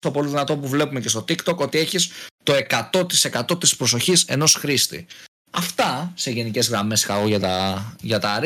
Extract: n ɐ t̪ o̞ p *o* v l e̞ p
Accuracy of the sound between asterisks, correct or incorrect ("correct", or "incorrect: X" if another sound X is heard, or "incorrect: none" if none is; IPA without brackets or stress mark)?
incorrect: u